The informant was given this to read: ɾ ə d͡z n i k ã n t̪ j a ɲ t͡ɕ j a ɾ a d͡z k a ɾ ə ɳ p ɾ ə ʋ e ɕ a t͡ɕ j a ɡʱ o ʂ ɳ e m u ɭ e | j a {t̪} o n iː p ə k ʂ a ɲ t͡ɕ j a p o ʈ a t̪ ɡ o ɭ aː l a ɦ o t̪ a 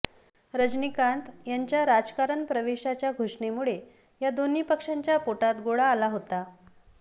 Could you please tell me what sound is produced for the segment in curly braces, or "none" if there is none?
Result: d̪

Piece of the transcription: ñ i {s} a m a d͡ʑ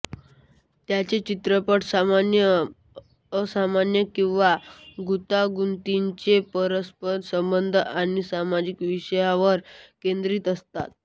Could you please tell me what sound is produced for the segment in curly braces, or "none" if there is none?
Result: s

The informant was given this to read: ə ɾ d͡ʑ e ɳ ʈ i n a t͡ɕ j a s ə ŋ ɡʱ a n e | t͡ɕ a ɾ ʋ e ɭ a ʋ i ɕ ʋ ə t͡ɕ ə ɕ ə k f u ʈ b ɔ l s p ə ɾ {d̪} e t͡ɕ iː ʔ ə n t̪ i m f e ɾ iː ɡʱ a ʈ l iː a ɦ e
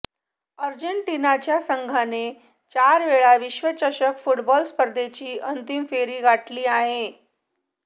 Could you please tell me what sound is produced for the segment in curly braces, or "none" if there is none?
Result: d̪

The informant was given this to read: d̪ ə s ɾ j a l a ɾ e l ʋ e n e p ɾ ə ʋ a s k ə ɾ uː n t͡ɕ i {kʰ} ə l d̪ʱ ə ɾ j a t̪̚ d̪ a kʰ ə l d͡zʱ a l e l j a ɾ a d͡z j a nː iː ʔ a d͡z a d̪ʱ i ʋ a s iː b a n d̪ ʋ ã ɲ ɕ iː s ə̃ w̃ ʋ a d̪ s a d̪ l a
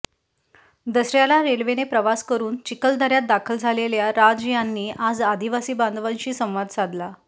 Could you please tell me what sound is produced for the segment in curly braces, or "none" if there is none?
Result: k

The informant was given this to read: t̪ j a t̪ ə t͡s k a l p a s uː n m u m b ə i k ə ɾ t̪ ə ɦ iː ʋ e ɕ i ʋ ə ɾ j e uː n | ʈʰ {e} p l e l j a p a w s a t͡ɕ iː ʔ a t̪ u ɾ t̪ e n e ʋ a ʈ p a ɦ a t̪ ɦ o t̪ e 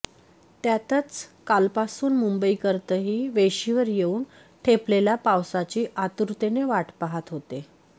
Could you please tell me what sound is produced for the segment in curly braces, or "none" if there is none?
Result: e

